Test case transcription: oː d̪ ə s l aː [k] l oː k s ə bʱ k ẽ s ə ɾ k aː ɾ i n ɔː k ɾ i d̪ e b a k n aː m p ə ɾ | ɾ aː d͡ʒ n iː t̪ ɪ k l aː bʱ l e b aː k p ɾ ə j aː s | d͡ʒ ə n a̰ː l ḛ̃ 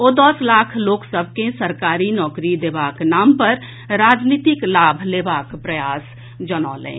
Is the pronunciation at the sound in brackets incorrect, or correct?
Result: incorrect: kʰ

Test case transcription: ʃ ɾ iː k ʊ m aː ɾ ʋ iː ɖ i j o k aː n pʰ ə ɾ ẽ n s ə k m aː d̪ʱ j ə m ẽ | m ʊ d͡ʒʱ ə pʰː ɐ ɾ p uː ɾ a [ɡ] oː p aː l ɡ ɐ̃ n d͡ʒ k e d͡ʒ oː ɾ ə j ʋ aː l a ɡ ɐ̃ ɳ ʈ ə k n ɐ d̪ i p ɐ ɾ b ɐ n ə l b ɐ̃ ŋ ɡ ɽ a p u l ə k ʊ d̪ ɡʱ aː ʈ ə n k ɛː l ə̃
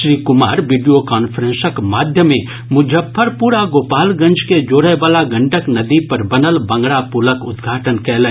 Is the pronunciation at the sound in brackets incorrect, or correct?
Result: correct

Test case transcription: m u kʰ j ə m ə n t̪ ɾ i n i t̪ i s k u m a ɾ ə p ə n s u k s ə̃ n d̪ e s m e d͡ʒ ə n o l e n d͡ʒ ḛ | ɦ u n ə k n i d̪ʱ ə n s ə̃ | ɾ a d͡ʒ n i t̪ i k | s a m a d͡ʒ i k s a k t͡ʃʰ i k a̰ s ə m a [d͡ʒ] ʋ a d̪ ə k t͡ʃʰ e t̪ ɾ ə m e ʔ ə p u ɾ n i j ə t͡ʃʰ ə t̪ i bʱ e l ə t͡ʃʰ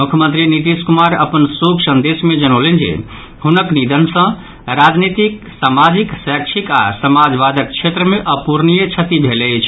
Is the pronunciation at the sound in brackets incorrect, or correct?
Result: correct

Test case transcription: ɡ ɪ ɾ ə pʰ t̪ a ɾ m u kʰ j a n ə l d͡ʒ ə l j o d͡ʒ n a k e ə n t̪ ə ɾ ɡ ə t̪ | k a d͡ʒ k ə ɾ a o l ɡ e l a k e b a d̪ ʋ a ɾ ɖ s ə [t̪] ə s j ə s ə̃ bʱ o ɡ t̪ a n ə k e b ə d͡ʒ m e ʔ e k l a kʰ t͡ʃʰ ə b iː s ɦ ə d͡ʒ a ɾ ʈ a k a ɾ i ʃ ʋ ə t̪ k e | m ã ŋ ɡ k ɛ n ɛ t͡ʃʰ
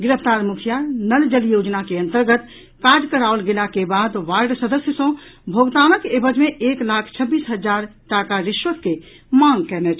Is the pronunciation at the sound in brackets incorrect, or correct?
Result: incorrect: d̪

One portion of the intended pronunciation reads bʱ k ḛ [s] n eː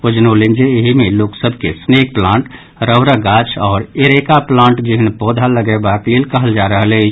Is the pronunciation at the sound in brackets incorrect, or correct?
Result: correct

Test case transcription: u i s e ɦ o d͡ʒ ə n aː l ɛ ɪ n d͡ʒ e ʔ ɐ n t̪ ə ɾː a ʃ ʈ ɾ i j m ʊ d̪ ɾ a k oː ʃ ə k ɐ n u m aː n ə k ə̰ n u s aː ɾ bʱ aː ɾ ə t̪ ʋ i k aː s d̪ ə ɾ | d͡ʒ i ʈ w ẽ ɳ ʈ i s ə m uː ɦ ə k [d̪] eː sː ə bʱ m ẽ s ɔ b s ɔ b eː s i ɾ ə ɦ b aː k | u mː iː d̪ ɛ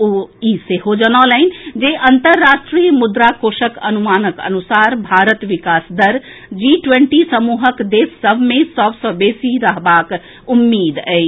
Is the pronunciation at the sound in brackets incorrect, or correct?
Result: correct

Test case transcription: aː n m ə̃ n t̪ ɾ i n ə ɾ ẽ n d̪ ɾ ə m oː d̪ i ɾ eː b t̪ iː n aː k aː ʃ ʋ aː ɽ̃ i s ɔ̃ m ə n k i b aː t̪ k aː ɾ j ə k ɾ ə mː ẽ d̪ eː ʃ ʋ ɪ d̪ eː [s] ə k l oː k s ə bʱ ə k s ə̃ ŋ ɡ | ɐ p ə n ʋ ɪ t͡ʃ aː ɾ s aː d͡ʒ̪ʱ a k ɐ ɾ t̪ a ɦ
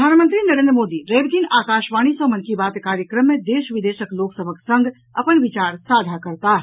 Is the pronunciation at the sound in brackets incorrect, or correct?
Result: incorrect: ʃ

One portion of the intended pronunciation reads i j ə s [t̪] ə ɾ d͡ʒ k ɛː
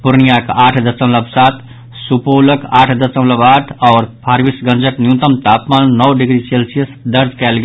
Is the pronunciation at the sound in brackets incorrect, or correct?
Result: incorrect: d̪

